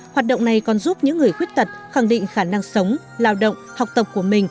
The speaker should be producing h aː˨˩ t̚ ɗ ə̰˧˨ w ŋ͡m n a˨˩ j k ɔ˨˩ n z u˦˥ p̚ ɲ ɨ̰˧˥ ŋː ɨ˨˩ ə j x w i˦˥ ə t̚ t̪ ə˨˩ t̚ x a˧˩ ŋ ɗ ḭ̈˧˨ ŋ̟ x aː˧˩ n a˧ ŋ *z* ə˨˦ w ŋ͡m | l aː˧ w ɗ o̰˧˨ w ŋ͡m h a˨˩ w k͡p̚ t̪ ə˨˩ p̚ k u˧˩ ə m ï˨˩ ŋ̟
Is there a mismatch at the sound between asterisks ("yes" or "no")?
yes